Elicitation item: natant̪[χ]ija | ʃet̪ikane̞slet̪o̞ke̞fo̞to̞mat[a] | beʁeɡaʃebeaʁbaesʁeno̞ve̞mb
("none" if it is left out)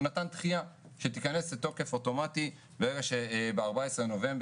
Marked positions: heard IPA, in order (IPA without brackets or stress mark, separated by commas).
χ, i